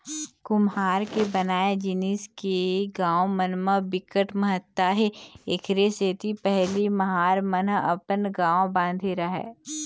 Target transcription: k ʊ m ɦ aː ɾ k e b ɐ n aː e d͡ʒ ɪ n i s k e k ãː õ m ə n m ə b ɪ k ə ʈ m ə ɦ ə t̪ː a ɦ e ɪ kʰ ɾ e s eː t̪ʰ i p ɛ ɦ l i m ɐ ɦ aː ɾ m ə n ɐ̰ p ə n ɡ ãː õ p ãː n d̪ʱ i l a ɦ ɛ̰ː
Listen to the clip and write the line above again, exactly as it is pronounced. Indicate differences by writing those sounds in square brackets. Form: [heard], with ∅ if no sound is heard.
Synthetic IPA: k ʊ m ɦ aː ɾ k e b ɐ n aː e d͡ʒ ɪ n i s k e [ɡ] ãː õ m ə n m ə b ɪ k ə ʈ m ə ɦ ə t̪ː a ɦ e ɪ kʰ ɾ e s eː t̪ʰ i p ɛ ɦ l i m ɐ ɦ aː ɾ m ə n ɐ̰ p ə n ɡ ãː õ [b] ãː n d̪ʱ i [ɾ] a ɦ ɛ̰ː